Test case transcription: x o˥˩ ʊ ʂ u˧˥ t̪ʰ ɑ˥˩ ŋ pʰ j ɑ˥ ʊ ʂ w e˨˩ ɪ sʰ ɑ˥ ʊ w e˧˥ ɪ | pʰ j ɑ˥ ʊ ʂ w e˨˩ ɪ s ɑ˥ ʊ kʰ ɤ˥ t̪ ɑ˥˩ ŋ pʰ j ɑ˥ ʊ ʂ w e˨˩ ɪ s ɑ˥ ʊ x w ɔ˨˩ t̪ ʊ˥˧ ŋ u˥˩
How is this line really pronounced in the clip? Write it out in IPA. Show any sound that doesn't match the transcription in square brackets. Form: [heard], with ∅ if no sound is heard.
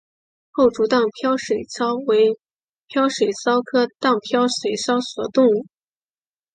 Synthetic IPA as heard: x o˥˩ ʊ [ʈ͡ʂ] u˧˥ [t̪] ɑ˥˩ ŋ pʰ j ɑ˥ ʊ ʂ w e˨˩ ɪ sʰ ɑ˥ ʊ w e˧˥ ɪ | pʰ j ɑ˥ ʊ ʂ w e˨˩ ɪ s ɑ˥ ʊ kʰ ɤ˥ t̪ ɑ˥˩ ŋ pʰ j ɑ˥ ʊ ʂ w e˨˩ ɪ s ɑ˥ ʊ [s] w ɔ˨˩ t̪ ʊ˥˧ ŋ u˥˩